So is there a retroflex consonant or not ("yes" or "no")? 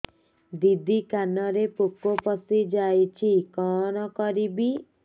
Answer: no